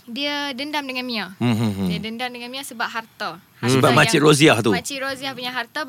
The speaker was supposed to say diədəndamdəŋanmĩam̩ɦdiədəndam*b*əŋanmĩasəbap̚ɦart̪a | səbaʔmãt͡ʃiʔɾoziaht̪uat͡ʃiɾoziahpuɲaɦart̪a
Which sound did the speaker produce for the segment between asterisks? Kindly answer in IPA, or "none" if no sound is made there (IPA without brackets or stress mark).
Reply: d